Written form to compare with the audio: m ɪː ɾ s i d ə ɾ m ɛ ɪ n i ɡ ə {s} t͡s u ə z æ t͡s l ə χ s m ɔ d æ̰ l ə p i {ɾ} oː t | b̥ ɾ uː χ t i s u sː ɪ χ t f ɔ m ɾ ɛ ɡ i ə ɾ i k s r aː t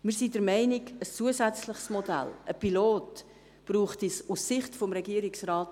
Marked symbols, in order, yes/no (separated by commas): yes, no